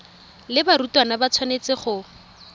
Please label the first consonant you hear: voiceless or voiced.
voiced